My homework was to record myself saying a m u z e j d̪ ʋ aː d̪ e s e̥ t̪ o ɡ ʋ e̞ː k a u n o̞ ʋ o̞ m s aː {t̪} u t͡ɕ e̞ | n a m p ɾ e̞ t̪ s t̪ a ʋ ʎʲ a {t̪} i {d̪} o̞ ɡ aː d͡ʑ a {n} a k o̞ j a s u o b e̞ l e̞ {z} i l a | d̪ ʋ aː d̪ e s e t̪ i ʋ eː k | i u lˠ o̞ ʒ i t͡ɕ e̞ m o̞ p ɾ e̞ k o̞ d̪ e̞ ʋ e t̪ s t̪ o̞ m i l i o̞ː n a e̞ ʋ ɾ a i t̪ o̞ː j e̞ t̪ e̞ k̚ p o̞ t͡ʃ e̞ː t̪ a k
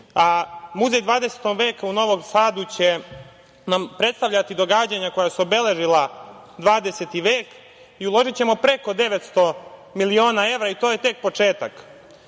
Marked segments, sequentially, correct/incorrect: incorrect, correct, correct, incorrect, incorrect

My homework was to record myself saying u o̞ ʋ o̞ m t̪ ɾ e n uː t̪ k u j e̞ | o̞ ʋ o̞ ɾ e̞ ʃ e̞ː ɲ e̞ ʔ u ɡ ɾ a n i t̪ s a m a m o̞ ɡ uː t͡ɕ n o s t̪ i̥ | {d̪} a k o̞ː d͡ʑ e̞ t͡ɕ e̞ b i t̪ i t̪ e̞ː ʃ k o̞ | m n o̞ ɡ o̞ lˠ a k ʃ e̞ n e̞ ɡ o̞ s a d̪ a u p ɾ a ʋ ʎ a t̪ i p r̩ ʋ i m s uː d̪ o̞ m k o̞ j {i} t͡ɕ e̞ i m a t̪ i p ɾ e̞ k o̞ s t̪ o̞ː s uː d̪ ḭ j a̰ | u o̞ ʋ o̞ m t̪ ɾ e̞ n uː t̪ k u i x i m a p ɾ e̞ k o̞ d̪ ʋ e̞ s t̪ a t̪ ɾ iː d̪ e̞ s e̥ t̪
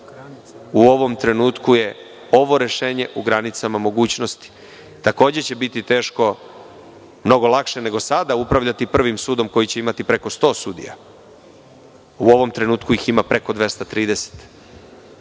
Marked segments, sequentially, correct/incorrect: incorrect, correct

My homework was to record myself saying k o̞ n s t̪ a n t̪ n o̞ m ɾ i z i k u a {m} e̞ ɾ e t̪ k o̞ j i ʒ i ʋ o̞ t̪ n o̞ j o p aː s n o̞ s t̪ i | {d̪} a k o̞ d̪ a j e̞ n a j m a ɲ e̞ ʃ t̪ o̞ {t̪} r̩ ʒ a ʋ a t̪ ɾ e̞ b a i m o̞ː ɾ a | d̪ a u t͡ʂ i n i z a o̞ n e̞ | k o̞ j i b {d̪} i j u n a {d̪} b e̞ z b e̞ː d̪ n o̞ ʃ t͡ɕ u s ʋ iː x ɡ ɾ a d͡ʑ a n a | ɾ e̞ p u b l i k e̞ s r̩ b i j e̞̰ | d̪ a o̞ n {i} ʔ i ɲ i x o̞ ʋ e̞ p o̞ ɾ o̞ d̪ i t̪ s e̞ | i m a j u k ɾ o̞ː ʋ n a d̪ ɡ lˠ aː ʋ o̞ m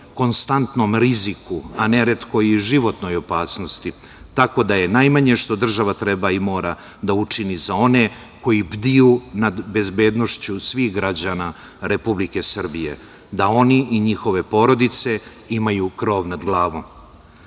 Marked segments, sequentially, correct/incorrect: incorrect, incorrect, incorrect, correct, correct, correct

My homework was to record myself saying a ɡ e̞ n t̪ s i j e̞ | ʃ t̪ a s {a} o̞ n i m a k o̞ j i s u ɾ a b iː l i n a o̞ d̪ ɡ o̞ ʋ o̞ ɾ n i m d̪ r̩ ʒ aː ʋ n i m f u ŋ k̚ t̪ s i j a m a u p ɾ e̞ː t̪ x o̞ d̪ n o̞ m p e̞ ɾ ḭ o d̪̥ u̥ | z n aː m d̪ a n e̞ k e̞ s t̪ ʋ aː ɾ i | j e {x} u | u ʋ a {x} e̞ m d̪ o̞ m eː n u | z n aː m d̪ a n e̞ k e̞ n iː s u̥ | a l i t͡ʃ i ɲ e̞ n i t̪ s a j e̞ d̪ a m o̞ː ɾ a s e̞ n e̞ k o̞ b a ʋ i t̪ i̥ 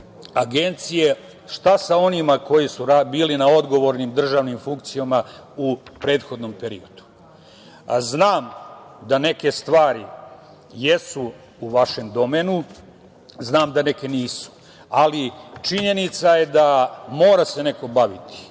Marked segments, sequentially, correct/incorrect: correct, incorrect, incorrect

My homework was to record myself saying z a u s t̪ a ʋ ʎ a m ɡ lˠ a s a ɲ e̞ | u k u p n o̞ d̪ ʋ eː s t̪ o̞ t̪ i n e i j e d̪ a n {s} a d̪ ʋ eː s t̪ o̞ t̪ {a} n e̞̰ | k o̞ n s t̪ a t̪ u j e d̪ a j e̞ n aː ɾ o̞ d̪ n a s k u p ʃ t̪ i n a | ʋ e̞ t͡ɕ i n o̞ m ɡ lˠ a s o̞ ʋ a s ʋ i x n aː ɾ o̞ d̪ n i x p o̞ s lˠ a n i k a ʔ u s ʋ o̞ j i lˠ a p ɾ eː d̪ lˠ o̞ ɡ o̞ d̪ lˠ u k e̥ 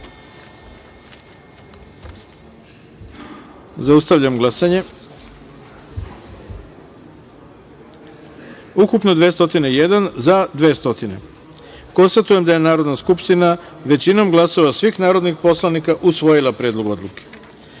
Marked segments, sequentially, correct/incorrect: incorrect, incorrect

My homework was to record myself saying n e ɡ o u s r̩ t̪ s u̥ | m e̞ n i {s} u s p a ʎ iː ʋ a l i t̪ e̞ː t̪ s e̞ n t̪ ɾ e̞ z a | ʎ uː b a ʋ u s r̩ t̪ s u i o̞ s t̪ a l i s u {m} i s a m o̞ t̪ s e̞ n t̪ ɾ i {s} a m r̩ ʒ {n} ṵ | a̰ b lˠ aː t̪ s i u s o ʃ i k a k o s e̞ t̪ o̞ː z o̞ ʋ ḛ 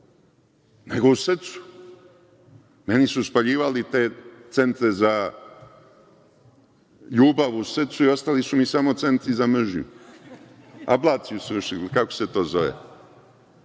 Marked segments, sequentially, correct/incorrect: correct, correct, incorrect, incorrect

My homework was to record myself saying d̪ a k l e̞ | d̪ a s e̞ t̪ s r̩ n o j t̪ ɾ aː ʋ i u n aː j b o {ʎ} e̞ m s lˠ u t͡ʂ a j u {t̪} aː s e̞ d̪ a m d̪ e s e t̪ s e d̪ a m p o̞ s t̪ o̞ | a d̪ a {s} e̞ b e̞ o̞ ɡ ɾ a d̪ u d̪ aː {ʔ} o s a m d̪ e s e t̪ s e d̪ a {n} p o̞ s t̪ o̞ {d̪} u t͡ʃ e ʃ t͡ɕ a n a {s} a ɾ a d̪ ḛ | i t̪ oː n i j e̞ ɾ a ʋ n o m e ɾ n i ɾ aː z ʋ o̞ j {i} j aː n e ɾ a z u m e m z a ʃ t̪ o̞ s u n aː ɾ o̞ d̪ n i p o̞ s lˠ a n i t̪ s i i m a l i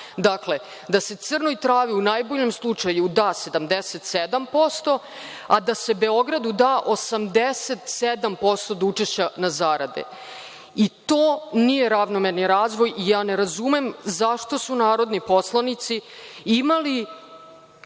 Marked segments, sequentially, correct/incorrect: correct, incorrect, correct, correct, incorrect, correct, incorrect, correct

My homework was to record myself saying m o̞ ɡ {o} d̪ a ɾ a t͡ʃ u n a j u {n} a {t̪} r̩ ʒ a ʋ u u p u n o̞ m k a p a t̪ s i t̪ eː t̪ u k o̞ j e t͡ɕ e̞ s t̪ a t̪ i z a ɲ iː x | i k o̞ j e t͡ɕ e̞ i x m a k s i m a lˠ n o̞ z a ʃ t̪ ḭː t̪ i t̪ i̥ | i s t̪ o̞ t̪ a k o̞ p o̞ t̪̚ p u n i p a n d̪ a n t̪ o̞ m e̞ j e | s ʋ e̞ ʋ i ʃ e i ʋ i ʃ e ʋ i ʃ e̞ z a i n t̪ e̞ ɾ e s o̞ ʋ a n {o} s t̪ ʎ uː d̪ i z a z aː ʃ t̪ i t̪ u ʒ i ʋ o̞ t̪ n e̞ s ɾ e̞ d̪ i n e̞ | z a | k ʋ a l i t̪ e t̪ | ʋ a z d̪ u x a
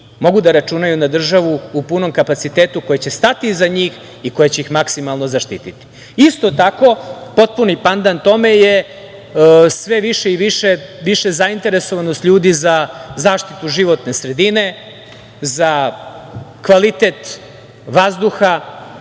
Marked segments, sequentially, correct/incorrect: incorrect, correct, incorrect, correct

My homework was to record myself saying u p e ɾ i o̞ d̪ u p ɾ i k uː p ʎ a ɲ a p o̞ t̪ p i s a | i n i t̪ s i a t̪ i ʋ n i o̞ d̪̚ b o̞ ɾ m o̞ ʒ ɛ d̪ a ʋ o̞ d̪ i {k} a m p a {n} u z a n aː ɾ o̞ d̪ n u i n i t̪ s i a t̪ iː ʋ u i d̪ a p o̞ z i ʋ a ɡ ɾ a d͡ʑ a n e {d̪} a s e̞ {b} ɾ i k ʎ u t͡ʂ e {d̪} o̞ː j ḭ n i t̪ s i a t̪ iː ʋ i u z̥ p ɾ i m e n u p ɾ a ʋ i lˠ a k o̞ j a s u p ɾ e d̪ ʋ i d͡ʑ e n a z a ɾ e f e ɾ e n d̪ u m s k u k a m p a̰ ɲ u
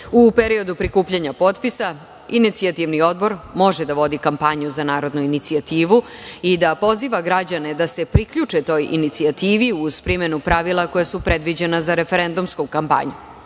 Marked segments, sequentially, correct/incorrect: correct, incorrect, correct, incorrect, incorrect

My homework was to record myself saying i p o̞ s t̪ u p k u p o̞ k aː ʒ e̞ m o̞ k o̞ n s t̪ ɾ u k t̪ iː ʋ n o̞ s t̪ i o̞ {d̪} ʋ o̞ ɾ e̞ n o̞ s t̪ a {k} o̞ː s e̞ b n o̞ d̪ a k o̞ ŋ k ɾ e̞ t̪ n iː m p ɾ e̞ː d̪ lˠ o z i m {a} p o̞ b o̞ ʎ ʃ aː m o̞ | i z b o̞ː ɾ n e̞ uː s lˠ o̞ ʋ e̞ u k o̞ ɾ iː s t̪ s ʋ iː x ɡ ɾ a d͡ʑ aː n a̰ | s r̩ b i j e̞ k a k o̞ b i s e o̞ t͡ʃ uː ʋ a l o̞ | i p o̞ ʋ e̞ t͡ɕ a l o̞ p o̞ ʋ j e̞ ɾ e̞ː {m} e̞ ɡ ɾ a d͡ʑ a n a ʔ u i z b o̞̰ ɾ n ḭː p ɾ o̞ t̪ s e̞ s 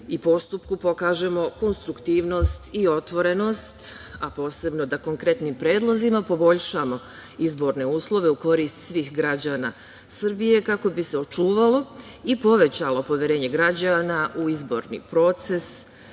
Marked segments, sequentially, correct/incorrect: incorrect, incorrect, correct, incorrect

